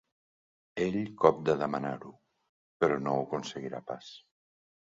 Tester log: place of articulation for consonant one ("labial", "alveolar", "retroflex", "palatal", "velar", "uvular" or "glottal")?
palatal